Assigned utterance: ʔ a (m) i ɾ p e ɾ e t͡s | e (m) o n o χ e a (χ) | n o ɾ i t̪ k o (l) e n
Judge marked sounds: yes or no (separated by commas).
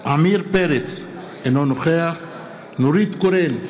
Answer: yes, no, yes, no